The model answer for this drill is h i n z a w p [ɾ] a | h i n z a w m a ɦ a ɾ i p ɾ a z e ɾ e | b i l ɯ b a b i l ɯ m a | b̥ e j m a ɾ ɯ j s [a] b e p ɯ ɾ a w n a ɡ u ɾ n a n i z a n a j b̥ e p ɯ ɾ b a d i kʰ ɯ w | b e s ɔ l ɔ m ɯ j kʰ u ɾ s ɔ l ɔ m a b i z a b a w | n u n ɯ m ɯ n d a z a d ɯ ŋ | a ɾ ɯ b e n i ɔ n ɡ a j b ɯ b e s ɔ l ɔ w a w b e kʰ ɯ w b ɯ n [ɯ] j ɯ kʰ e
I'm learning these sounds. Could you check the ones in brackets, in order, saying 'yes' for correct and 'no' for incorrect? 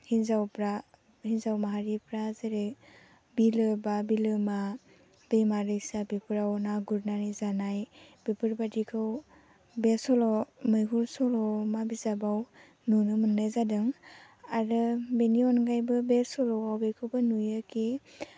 yes, yes, no

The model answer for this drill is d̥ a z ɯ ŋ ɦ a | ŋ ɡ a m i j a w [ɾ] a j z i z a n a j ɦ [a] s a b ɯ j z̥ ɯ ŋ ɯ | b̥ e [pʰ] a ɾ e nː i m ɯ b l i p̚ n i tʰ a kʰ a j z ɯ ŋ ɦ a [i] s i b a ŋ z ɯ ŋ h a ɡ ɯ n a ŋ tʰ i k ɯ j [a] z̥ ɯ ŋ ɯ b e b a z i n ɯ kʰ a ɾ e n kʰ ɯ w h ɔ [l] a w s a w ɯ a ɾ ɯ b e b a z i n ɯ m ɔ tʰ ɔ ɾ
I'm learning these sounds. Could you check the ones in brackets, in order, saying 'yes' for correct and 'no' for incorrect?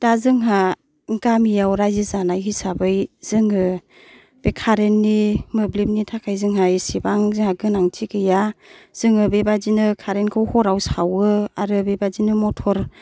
yes, no, no, no, yes, no

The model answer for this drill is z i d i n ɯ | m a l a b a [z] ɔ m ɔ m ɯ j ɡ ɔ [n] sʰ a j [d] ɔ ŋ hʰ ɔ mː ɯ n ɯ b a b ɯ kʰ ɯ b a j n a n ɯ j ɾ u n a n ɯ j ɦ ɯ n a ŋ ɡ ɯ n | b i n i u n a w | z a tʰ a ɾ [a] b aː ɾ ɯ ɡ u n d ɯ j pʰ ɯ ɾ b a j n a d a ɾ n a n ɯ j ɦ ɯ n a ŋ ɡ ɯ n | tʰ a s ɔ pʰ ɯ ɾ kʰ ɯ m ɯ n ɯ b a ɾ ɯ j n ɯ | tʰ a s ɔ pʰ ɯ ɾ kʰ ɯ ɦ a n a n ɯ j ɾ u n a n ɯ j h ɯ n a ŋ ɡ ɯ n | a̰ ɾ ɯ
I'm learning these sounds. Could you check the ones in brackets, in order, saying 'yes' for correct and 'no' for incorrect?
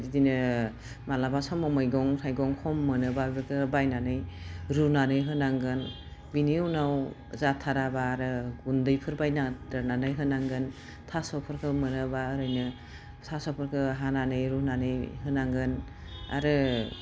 no, no, no, yes

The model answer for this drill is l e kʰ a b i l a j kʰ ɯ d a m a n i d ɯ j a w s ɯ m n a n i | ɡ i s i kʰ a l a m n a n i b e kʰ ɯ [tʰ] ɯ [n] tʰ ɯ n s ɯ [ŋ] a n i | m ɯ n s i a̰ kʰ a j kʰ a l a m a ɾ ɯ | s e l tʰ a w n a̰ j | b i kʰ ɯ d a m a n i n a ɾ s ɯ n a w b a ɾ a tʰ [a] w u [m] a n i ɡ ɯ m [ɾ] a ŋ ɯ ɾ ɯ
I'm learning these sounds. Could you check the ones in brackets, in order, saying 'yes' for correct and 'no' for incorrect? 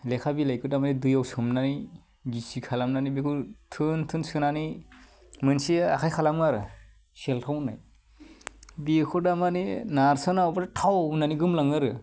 yes, yes, no, yes, no, no

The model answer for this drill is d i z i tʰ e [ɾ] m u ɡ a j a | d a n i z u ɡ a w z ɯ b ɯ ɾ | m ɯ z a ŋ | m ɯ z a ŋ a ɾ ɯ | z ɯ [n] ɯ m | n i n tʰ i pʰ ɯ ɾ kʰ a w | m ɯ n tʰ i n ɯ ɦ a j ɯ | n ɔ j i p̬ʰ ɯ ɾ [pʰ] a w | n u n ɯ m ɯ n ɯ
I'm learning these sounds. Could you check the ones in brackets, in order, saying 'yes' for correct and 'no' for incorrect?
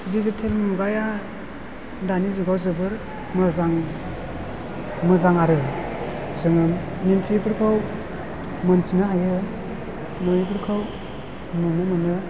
no, no, no

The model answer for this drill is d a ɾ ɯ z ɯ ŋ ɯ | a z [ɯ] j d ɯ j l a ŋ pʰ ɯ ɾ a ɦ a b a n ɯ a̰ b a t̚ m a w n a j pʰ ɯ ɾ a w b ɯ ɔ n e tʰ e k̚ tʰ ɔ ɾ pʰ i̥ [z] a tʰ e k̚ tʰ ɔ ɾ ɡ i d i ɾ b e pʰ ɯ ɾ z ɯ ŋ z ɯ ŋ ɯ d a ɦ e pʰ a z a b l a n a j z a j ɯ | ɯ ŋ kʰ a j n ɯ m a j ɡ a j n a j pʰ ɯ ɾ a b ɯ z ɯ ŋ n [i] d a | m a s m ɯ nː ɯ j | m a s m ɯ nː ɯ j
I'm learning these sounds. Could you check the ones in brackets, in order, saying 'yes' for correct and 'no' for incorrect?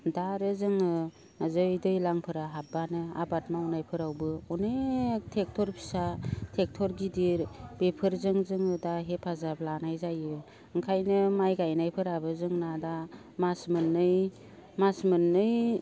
yes, no, no

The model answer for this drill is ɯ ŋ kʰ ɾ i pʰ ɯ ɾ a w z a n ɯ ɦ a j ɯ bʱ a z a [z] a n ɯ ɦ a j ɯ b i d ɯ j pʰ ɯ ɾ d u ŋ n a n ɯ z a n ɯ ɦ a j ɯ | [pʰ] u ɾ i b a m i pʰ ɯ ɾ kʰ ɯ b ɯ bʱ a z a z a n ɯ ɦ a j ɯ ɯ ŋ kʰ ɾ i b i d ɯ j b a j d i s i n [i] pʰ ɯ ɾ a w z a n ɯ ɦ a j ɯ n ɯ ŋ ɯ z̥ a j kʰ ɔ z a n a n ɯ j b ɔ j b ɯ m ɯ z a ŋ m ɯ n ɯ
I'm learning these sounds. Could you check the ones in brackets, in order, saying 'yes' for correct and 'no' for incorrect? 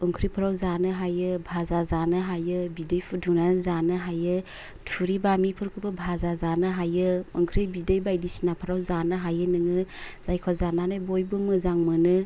yes, no, no

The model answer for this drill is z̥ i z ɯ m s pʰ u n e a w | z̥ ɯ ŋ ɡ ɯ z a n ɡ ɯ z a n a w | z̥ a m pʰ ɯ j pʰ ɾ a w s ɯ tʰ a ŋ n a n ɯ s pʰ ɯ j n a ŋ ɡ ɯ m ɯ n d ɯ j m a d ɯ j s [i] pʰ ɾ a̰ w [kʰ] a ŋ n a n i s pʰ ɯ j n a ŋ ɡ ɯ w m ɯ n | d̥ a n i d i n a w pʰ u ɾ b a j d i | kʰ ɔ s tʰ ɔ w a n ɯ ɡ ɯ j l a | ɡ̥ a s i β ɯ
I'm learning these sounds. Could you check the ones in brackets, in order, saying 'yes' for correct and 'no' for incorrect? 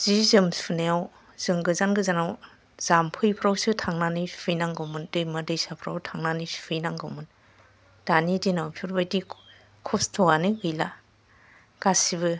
no, no

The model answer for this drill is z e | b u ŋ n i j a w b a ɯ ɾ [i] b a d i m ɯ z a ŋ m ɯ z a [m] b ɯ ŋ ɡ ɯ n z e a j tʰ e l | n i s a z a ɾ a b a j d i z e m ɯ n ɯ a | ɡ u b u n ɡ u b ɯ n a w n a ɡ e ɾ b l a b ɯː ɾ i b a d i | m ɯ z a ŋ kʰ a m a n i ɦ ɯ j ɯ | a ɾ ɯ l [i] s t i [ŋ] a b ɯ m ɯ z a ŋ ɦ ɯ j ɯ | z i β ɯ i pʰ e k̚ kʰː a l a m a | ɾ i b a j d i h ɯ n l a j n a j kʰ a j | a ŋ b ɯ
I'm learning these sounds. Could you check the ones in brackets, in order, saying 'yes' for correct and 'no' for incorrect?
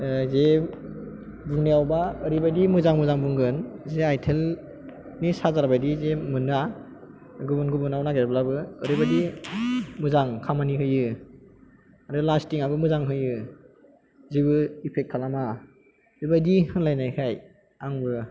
yes, no, no, yes

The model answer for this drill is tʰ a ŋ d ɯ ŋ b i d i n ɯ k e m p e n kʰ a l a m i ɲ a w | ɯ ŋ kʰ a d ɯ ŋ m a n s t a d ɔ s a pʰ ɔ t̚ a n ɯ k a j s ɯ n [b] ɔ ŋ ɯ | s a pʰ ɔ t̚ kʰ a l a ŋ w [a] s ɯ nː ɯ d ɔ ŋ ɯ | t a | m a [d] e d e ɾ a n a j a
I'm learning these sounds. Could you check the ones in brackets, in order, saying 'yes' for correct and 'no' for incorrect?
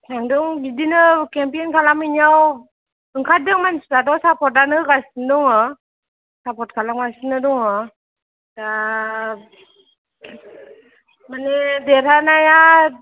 no, yes, no

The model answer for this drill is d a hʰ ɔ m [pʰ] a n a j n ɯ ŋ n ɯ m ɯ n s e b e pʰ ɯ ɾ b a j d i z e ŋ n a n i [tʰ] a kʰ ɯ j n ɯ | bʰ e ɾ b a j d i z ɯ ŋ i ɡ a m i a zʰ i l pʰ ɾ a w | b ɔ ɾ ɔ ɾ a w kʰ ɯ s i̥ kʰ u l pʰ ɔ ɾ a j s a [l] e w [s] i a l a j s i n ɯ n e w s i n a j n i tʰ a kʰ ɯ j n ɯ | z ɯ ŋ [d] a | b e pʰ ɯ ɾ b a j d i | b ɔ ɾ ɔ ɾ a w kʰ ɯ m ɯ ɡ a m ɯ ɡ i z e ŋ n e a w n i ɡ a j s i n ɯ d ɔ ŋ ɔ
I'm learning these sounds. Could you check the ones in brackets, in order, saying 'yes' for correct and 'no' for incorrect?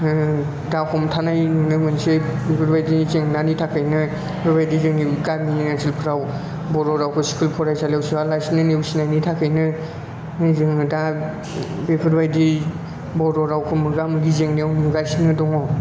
no, yes, yes, yes, yes

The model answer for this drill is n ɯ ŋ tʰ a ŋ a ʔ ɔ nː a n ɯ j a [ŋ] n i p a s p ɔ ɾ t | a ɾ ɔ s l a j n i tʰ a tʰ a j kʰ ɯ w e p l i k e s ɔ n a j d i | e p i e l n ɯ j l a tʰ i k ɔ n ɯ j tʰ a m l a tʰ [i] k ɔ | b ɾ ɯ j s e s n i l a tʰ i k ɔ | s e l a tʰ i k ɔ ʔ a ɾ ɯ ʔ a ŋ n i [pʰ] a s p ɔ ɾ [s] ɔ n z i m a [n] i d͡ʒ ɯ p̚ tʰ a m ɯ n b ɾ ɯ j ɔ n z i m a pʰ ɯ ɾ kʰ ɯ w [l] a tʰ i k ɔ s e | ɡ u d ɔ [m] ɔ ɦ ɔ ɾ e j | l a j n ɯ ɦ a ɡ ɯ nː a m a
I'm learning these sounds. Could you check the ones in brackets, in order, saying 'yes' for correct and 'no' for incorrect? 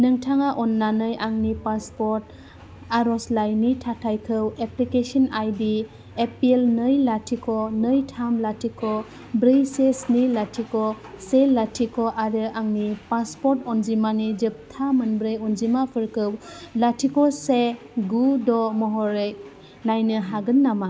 yes, yes, no, no, yes, yes, yes

